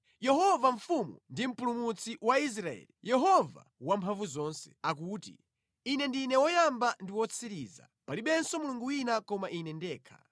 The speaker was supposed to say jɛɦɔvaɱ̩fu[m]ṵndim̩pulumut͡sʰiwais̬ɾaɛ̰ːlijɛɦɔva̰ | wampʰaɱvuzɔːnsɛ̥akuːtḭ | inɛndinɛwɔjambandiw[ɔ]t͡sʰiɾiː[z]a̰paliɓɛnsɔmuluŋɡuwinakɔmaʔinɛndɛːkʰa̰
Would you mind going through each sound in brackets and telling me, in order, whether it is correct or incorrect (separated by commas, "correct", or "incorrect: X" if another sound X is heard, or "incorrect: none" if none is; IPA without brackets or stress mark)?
correct, correct, correct